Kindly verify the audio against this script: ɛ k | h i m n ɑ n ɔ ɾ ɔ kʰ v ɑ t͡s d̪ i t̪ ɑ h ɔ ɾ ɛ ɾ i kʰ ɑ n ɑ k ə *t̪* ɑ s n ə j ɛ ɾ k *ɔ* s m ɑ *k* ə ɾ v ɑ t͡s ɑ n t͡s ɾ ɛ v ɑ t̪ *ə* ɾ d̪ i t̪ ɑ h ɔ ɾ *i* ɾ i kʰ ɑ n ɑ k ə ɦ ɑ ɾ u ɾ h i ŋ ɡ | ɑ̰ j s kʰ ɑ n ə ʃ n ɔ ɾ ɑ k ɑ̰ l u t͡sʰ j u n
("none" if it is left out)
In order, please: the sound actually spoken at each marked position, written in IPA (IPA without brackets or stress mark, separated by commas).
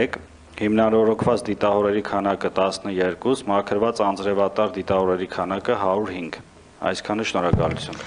t̪, u, kʰ, ɑ, ɛ